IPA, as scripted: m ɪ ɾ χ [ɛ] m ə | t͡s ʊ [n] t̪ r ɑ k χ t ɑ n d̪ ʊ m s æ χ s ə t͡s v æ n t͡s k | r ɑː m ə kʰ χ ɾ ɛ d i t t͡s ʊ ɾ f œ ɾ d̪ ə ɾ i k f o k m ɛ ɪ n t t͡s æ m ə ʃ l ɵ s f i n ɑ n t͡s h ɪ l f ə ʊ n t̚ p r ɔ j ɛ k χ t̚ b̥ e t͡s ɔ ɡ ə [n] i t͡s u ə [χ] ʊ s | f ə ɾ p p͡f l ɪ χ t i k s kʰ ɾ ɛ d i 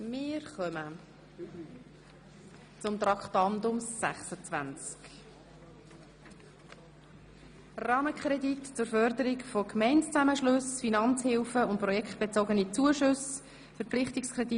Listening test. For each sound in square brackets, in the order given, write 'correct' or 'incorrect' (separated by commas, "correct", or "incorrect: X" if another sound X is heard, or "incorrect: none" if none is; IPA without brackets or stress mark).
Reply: incorrect: œ, incorrect: m, correct, incorrect: ʃ